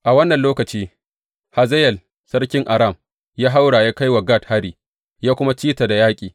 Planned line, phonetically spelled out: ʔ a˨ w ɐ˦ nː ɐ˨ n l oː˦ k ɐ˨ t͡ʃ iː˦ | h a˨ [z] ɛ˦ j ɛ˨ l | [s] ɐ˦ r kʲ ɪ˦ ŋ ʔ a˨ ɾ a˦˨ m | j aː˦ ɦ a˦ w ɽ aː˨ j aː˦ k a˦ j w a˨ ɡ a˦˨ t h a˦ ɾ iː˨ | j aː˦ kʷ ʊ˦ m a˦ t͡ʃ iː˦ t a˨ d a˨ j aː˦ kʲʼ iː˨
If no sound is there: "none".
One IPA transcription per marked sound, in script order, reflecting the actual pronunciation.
z, s

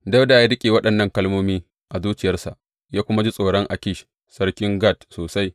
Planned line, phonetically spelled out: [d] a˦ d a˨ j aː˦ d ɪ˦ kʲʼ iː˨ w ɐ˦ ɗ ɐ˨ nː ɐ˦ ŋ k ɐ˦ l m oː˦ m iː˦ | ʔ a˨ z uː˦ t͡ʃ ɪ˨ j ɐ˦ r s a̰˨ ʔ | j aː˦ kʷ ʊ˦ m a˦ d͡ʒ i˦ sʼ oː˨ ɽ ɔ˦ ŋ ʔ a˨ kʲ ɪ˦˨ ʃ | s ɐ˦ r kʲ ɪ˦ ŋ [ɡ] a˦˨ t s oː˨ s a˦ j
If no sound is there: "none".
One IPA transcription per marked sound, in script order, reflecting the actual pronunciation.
d, ɡ

